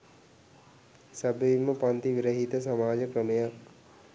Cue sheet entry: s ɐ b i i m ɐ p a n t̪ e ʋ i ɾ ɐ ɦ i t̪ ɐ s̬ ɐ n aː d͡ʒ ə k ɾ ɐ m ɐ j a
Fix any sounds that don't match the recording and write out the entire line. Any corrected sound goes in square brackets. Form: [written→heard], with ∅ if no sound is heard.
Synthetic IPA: s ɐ b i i m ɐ p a n t̪ [e→i] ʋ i ɾ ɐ ɦ i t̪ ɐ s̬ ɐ [n→m] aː d͡ʒ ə k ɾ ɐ m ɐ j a